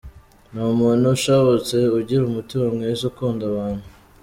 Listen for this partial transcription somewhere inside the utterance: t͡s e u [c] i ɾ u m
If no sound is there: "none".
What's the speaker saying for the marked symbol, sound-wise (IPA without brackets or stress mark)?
ɟ